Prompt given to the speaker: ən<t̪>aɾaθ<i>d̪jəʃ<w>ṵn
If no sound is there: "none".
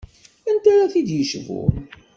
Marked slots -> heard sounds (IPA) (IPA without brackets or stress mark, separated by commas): t̪, i, v